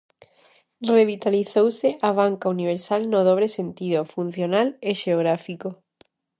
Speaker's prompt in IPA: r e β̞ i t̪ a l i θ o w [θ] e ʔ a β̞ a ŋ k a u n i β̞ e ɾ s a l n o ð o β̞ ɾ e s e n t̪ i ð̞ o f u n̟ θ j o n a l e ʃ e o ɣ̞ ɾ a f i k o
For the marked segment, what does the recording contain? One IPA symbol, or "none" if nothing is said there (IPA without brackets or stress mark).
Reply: s